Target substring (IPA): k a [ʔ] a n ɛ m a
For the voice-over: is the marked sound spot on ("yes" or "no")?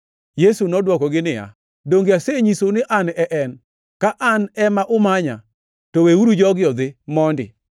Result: yes